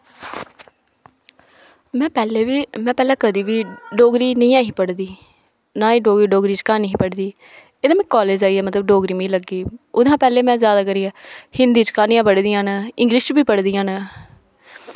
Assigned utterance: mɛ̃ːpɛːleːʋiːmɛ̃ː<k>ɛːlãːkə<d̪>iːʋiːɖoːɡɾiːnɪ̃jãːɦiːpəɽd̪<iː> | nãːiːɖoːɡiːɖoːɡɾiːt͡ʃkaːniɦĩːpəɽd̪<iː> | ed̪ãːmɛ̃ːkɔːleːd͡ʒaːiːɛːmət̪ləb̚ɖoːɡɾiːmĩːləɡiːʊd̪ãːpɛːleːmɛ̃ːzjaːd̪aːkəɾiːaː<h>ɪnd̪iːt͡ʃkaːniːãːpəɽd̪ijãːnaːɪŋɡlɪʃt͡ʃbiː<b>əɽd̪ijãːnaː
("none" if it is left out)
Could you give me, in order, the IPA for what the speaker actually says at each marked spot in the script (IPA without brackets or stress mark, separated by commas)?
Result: p, d̪, iː, iː, h, p